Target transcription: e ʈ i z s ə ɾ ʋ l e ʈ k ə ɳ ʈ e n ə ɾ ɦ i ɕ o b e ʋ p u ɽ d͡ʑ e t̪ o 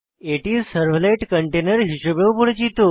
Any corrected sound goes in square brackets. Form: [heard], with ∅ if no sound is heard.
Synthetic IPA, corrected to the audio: e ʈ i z s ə ɾ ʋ l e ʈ k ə ɳ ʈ e n ə ɾ ɦ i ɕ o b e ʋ p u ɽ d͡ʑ [i] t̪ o